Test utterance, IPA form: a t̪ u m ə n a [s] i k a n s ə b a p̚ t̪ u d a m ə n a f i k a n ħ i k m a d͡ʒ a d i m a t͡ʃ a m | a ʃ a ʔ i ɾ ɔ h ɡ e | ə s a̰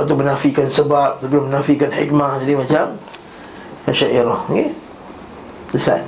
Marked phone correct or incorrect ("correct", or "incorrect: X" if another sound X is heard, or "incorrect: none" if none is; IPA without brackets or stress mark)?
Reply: incorrect: f